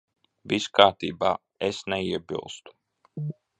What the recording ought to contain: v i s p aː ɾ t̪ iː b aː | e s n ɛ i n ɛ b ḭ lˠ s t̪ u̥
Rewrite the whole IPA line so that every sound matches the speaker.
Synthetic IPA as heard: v i s k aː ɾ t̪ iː b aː | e s n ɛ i ɛ b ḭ lˠ s t̪ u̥